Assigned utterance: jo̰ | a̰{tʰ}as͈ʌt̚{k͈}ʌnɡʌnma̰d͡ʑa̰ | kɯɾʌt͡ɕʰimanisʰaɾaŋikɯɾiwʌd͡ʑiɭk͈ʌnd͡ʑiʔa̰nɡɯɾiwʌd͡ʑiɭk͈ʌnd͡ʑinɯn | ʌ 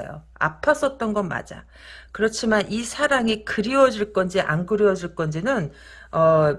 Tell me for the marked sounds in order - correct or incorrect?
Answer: incorrect: pʰ, incorrect: t͈

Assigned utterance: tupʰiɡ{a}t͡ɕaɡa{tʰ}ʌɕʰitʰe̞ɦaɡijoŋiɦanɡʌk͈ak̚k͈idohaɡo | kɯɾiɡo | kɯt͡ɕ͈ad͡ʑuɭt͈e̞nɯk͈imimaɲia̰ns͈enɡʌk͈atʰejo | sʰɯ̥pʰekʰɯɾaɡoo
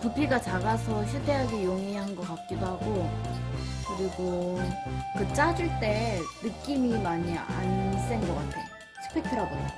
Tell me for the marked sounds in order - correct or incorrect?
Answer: correct, incorrect: sʰ

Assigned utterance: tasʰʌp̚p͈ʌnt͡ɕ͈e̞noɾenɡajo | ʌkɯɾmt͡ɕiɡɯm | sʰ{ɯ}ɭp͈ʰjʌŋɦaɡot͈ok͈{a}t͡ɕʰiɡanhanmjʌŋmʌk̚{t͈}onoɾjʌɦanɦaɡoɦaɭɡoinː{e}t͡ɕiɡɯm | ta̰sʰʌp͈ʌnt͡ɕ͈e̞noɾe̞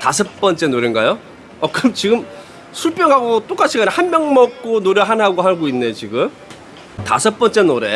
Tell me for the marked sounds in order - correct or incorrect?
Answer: incorrect: u, correct, incorrect: k͈, correct

